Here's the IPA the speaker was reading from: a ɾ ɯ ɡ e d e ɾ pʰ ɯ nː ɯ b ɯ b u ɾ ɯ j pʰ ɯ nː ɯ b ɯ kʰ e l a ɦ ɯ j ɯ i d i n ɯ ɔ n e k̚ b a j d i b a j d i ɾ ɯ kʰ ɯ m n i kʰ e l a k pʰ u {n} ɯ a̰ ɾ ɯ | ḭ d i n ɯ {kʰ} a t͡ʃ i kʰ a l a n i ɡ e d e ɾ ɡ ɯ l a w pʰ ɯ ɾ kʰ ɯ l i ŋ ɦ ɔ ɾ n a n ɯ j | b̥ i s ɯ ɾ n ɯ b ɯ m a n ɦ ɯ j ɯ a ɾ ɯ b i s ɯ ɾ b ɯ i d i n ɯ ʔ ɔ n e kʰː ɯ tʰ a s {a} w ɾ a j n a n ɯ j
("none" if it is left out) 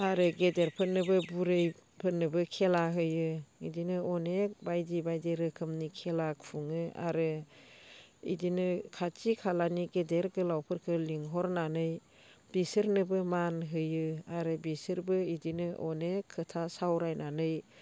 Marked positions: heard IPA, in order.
ŋ, kʰ, a

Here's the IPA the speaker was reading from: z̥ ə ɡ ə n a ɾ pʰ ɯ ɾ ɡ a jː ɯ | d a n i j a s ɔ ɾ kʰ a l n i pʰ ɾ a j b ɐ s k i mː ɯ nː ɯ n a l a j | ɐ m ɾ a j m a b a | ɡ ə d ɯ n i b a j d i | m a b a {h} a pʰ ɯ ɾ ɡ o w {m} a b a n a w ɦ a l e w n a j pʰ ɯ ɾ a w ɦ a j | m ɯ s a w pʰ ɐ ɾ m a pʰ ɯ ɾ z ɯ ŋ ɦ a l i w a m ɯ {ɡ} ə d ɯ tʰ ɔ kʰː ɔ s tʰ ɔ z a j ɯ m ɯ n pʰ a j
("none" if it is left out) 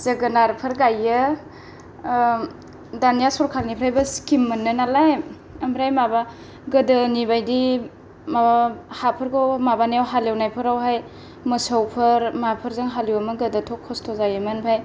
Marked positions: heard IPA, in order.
h, m, ɡ

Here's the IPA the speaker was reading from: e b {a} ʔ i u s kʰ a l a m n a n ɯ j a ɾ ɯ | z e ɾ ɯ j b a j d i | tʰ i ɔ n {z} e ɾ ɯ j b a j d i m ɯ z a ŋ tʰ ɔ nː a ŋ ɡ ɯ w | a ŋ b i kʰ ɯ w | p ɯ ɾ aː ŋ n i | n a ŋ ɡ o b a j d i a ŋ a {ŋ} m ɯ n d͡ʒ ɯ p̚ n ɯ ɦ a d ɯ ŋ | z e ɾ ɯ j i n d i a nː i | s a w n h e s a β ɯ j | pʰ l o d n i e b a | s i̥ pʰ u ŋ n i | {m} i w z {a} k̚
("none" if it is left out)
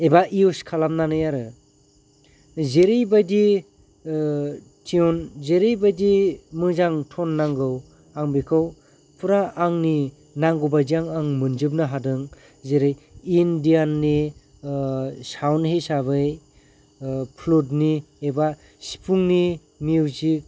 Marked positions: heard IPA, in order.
a, z, ŋ, m, i

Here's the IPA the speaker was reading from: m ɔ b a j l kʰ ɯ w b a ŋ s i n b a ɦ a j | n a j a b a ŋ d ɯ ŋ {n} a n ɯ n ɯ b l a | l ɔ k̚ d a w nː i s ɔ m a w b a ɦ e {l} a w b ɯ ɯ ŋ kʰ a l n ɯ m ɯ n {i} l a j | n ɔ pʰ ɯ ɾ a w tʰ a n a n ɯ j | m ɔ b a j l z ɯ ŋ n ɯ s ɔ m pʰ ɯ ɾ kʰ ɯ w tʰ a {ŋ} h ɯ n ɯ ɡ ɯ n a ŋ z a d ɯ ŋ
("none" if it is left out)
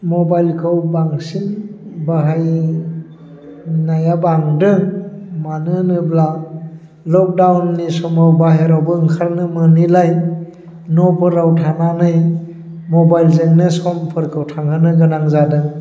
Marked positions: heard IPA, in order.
m, ɾ, i, ŋ

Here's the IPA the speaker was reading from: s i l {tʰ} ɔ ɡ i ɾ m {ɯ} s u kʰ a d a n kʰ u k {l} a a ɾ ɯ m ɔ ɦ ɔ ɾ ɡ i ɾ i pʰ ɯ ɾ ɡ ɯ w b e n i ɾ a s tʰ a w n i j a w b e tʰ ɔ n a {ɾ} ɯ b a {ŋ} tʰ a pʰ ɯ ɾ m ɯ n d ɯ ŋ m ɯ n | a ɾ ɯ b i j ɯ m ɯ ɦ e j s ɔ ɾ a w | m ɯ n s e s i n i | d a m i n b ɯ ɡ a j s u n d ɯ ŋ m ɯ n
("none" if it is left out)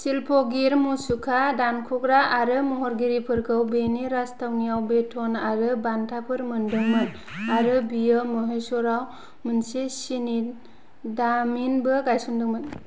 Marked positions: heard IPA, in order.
pʰ, u, ɾ, ɾ, n

